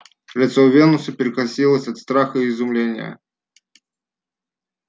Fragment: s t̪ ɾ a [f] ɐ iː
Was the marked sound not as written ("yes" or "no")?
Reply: yes